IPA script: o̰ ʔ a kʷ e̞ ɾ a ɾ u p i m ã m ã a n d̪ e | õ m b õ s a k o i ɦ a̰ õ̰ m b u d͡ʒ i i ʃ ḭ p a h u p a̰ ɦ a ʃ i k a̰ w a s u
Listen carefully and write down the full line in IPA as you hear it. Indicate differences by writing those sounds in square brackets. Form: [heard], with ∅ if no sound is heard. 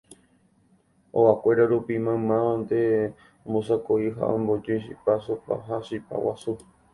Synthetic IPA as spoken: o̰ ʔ a kʷ e̞ ɾ a ɾ u p i m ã m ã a n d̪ e | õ m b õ s a k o i ɦ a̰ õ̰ m b [o] d͡ʒ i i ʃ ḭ p a [s] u p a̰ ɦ a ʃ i [p] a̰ w a s u